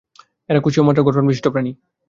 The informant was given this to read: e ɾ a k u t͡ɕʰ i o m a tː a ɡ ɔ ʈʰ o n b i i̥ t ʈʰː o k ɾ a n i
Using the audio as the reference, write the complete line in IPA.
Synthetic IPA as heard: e ɾ a k u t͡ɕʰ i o m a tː a ɡ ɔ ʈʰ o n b i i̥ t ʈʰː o p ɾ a n i